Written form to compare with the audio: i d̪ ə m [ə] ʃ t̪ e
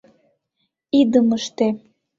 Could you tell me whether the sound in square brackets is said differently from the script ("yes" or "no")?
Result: no